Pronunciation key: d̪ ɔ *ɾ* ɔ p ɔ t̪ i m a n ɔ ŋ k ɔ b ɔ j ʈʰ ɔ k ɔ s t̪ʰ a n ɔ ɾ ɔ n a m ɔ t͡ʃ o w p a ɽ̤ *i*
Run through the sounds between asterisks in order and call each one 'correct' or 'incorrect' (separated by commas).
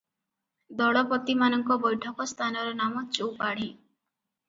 incorrect, correct